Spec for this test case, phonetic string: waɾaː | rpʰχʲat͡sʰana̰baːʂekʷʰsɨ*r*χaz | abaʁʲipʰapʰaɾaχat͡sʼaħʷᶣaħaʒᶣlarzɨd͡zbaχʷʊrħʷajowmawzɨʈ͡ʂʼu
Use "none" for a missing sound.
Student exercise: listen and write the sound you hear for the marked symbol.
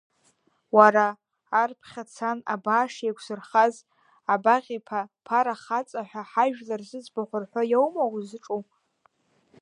r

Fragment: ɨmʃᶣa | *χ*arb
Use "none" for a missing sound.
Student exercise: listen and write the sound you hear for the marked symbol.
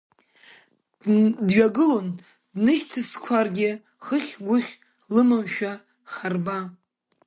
χ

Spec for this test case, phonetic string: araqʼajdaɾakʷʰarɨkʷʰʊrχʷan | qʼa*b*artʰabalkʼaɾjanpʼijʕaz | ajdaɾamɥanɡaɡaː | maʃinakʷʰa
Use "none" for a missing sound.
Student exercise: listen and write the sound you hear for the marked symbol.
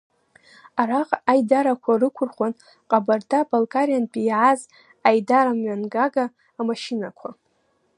b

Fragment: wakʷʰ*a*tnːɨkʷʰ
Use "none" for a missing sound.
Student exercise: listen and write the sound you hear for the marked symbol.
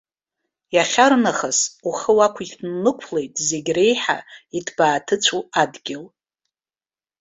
i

